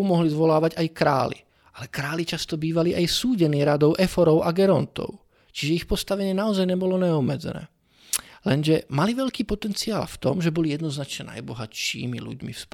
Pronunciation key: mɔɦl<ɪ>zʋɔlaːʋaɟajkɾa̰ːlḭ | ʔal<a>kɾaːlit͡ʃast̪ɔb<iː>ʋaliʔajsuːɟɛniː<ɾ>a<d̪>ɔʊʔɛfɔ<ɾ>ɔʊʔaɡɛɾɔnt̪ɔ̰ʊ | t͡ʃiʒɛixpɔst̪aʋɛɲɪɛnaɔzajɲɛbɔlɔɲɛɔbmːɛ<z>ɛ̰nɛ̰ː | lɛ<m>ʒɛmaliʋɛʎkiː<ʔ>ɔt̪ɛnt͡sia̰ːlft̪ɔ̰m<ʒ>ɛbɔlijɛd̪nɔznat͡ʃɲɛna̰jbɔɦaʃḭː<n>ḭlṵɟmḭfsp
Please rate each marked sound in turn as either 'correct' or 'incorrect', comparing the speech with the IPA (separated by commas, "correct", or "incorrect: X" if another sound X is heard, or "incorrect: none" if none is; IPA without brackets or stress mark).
incorrect: i, incorrect: ɛ, correct, correct, correct, correct, incorrect: d͡z, incorrect: n, incorrect: p, correct, incorrect: m